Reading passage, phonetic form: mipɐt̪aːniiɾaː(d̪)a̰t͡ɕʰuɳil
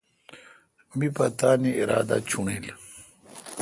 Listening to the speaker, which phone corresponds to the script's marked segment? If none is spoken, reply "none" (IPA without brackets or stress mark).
d̪